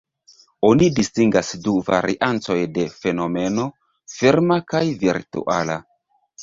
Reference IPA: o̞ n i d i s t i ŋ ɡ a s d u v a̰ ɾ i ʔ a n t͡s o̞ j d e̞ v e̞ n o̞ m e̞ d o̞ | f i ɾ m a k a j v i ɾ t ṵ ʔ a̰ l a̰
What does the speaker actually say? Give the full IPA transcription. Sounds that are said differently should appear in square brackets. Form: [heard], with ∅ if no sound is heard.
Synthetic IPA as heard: o̞ n i d i s t i ŋ ɡ a s d u v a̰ ɾ i ʔ a n t͡s o̞ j d e̞ [f] e̞ n o̞ m e̞ [n] o̞ | f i ɾ m a k a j v i ɾ t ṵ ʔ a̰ l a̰